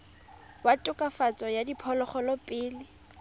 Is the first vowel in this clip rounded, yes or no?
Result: no